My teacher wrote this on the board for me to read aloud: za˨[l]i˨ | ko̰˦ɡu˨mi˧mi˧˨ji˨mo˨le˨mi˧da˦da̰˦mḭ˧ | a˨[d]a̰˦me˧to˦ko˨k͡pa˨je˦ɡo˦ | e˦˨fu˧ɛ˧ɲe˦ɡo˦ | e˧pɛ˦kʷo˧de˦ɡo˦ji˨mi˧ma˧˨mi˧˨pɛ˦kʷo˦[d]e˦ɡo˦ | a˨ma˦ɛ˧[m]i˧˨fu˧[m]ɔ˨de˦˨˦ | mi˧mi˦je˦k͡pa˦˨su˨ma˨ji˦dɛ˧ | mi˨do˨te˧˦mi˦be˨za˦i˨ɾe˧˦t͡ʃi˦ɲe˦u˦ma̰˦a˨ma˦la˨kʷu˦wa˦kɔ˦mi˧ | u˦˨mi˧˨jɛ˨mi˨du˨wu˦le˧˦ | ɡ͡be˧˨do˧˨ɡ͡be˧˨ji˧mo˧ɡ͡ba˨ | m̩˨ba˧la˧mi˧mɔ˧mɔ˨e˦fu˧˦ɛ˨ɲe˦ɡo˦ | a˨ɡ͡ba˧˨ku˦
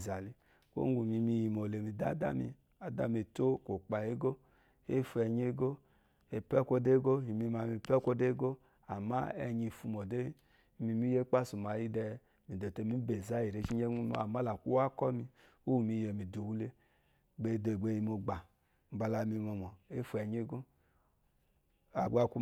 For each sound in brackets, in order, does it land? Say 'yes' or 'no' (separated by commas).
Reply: yes, yes, yes, no, yes